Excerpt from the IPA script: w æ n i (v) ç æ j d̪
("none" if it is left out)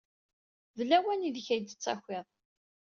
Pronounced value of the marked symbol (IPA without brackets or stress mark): ð